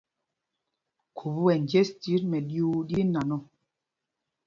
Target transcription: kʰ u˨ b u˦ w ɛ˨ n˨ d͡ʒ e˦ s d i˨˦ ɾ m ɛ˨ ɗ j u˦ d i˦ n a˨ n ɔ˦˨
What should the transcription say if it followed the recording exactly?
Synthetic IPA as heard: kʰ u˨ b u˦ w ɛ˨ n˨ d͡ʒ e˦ s t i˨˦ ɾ m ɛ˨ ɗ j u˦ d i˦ n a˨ n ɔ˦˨